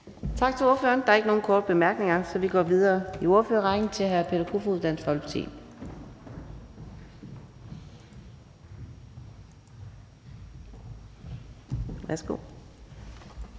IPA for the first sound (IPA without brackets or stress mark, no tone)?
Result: t͡sʰ